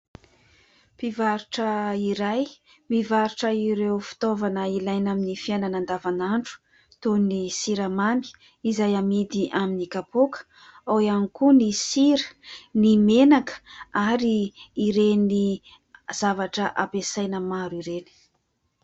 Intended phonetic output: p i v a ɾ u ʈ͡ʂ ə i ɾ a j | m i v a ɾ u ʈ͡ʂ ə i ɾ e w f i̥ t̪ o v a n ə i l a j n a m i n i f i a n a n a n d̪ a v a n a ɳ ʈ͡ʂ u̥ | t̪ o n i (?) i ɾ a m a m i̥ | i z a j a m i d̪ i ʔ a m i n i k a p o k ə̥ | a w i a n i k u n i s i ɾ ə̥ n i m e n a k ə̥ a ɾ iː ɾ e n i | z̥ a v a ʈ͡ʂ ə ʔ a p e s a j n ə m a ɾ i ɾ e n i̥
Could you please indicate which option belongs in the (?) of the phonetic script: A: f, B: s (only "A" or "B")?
B